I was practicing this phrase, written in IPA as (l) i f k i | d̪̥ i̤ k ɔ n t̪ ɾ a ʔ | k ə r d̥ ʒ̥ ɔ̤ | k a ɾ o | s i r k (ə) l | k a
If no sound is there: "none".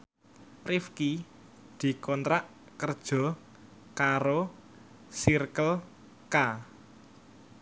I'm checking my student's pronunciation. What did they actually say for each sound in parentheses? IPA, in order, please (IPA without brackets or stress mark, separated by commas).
r, ə